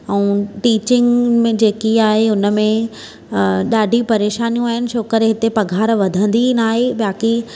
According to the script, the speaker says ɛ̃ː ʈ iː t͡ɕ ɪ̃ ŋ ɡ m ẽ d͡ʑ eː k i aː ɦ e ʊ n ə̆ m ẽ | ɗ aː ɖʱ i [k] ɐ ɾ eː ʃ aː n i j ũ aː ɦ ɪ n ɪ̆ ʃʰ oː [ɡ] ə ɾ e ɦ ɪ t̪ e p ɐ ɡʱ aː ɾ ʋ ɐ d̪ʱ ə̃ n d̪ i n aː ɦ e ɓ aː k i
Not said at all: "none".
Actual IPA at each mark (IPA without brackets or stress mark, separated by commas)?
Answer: p, k